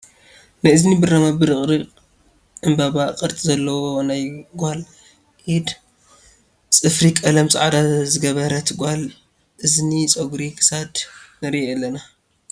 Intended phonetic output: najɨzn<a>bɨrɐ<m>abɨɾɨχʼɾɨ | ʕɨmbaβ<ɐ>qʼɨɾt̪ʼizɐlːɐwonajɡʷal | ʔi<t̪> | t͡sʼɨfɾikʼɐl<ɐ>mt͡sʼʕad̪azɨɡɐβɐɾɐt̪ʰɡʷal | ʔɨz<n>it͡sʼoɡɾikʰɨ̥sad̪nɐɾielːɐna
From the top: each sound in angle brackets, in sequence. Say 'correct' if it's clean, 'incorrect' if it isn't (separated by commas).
incorrect, correct, incorrect, incorrect, correct, correct